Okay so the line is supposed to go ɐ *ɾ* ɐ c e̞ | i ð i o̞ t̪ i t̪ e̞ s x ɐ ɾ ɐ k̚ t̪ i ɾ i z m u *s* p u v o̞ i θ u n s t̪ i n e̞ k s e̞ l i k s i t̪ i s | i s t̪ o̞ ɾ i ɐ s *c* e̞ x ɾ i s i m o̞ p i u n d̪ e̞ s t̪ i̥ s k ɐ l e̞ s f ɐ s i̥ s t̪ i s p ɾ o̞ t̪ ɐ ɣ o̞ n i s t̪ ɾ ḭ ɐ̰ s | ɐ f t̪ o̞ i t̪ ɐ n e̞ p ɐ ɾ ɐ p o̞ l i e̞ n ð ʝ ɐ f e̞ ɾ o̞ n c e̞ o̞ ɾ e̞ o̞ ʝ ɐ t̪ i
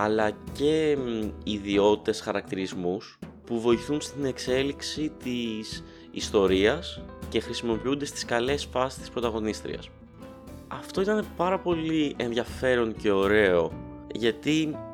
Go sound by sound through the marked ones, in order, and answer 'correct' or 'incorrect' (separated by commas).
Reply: incorrect, correct, correct